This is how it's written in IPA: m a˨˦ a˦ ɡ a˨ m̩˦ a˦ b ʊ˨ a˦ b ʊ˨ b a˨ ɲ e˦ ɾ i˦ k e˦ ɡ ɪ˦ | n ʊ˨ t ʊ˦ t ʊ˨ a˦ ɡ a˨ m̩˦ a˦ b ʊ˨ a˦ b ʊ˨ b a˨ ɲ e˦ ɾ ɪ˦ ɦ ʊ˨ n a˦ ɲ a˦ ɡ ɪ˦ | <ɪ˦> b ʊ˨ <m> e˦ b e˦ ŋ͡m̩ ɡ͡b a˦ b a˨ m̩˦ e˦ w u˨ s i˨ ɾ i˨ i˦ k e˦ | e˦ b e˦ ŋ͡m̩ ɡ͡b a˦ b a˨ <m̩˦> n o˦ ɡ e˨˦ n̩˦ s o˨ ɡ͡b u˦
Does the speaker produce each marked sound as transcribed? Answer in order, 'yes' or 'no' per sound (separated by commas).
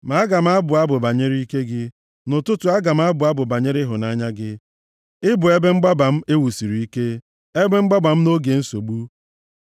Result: yes, no, yes